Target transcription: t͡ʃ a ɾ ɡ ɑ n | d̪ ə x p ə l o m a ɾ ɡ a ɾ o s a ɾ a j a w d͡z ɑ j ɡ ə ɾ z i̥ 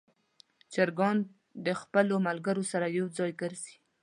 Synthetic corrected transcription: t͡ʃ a ɾ ɡ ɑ n | d̪ ə x p ə l o m a l ɡ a ɾ o s a ɾ a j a w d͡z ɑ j ɡ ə ɾ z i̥